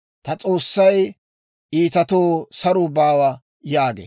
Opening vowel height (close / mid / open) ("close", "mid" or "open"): open